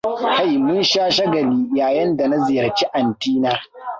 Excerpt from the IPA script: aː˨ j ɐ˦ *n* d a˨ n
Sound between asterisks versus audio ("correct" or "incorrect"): correct